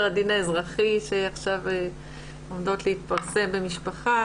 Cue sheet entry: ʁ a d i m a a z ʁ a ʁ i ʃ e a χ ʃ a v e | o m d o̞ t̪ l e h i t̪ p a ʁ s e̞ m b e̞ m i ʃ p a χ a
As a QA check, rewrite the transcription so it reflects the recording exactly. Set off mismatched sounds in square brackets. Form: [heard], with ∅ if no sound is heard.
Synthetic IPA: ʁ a d i [n] a [e] z ʁ a [χ] i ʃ e a χ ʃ a v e | o m d o̞ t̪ l e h i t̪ p a ʁ s e̞ m b e̞ m i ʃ p a χ a